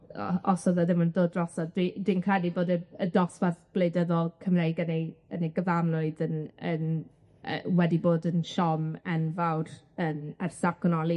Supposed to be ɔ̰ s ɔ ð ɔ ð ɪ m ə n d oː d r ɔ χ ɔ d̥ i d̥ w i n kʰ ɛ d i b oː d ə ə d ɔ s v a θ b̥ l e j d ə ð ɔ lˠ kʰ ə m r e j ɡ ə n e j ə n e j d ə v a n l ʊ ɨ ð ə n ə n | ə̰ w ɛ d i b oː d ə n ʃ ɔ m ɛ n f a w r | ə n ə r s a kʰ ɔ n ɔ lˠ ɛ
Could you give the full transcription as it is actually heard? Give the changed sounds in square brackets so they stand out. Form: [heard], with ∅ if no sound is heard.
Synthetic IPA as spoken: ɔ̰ s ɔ ð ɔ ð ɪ m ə n d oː d r ɔ [s] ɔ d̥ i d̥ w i n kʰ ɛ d i b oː d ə ə d ɔ s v a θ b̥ l e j d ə ð ɔ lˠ kʰ ə m r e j ɡ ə n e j ə n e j [ɡ] ə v a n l ʊ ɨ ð ə n ə n | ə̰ w ɛ d i b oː d ə n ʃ ɔ m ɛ n [v] a w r | ə n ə r s a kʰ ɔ n ɔ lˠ [i]